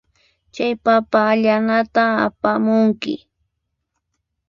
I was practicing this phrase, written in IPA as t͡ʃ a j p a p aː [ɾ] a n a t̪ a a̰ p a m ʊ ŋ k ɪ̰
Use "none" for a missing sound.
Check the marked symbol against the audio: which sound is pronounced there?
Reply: ʎ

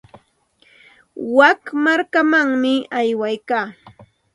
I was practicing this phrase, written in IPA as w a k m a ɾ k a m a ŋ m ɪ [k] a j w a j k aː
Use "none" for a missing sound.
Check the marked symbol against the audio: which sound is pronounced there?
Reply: none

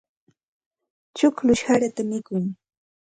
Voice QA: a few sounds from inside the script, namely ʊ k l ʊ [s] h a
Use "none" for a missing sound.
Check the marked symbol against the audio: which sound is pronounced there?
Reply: ʃ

